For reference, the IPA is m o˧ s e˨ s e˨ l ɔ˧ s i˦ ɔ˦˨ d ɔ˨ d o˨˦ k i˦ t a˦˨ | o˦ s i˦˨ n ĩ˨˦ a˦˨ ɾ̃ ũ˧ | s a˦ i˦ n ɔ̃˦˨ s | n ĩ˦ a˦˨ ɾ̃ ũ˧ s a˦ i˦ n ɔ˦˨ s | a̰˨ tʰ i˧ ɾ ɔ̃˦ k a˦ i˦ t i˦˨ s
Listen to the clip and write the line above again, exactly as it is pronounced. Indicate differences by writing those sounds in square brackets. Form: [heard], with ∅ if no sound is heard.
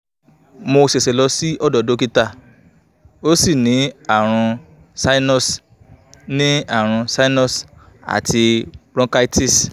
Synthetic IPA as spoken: m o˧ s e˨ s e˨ l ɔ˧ s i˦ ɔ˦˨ d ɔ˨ d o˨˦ k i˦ t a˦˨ | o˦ s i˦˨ n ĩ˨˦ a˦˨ ɾ̃ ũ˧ | s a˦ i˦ n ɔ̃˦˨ s | n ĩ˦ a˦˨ ɾ̃ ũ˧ s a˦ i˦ n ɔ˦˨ s | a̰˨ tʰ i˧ ɾ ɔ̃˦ k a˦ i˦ t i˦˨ s